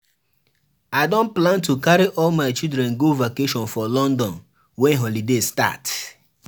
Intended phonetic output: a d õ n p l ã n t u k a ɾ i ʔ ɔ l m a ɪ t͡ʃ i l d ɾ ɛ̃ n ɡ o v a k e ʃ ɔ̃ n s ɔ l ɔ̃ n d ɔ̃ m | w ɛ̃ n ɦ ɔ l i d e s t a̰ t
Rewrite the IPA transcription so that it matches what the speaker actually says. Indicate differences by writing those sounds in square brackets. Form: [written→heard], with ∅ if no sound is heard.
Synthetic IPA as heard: a d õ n p l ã n t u k a ɾ i ʔ ɔ l m a ɪ t͡ʃ i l d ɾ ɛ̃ n ɡ o v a k e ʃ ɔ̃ n [s→f] ɔ l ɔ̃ n d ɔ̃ [m→n] | w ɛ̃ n ɦ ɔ l i d e s t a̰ t